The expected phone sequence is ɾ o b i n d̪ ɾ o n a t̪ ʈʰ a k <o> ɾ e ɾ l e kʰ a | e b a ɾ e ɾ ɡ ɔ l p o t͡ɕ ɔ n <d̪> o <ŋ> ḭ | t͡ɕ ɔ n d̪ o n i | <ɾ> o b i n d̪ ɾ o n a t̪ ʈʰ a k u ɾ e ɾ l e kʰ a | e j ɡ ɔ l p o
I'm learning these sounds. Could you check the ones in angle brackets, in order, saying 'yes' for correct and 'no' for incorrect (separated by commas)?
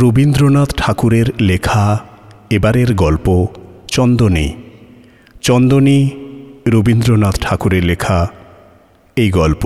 no, yes, no, yes